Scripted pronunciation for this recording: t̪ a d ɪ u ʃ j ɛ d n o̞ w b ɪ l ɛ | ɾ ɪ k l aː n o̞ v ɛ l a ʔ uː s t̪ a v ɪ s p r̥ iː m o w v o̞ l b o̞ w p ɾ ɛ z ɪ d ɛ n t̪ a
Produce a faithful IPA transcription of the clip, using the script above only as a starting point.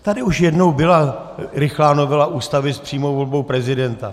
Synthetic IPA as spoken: t̪ a d ɪ u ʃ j ɛ d n o̞ w b ɪ l a | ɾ ɪ x l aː n o̞ v ɛ l a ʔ uː s t̪ a v ɪ s p r̥ iː m o w v o̞ l b o̞ w p ɾ ɛ z ɪ d ɛ n t̪ a